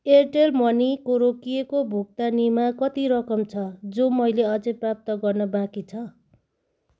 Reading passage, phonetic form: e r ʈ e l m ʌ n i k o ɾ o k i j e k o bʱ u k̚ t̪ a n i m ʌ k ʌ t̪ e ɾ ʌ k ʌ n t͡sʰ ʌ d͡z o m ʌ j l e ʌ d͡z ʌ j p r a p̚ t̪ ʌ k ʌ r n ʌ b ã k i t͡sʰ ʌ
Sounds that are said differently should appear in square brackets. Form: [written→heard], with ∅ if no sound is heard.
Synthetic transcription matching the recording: e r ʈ e l m ʌ n i k o ɾ o k i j e k o bʱ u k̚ t̪ a n i m [ʌ→a] k ʌ t̪ [e→i] ɾ ʌ k ʌ [n→m] t͡sʰ ʌ d͡z o m ʌ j l e ʌ d͡z ʌ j p r a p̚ t̪ ʌ [k→ɡ] ʌ r n ʌ b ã k i t͡sʰ ʌ